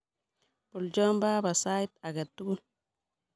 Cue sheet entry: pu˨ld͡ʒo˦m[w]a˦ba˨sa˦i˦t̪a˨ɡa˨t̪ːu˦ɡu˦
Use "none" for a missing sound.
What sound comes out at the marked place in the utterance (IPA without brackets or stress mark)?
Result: b